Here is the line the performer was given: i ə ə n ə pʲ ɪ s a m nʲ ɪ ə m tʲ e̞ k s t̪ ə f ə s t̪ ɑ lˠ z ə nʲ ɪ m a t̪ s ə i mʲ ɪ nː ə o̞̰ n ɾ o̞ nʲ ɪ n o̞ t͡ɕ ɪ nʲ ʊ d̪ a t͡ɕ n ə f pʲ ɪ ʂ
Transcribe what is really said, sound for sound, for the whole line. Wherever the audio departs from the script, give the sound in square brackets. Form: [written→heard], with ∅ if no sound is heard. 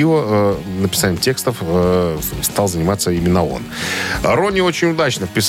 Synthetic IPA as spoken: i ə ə n ə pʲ ɪ s a [m→∅] nʲ ɪ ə m tʲ e̞ k s t̪ ə f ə s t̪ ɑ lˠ z ə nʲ ɪ m a t̪ s ə i mʲ ɪ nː ə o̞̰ n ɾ o̞ nʲ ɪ [n→∅] o̞ t͡ɕ ɪ nʲ ʊ d̪ a t͡ɕ n ə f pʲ ɪ [ʂ→s]